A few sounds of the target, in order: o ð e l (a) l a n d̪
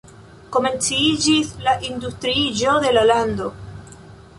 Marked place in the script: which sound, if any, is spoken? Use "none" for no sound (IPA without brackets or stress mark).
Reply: a